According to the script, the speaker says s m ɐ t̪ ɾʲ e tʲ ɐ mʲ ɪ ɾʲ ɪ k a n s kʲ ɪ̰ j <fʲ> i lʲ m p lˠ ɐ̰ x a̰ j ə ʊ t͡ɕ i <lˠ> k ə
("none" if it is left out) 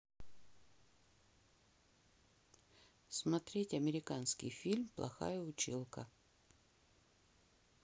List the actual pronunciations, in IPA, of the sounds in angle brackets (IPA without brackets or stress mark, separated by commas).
fʲ, lˠ